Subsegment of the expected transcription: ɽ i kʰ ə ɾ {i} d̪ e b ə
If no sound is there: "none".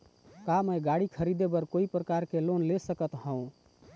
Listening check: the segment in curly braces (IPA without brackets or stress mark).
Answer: i